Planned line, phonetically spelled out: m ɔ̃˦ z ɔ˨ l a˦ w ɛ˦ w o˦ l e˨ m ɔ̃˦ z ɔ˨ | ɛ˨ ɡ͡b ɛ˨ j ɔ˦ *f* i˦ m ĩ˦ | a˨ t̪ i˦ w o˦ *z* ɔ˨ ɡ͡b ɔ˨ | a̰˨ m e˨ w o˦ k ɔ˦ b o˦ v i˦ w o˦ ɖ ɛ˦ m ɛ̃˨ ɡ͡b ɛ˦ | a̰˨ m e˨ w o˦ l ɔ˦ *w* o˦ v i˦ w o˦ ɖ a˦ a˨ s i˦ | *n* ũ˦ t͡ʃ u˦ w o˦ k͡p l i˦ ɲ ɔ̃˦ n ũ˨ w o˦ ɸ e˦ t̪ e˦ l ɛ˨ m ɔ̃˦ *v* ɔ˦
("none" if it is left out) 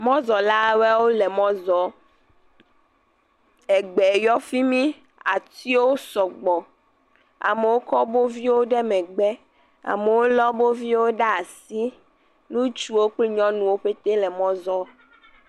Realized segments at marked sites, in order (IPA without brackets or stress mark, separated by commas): f, s, b, n, z